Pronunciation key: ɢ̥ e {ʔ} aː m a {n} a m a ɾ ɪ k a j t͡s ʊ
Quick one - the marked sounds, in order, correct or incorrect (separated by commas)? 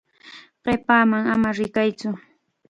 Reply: incorrect, incorrect